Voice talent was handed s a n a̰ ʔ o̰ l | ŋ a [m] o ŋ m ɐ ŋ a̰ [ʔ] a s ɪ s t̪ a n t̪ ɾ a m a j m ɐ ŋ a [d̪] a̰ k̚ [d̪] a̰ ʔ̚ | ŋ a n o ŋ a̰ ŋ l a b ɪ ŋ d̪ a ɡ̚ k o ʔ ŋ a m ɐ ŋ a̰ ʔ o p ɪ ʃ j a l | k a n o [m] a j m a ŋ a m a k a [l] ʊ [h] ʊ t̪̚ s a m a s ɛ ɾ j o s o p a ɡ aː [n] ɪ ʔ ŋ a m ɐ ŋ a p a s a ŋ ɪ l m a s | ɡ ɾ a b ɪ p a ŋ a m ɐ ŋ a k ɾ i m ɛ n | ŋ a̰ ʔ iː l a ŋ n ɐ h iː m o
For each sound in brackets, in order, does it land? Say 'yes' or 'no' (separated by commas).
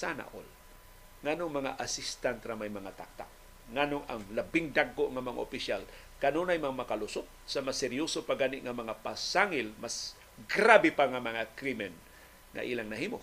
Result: no, yes, no, no, no, yes, no, yes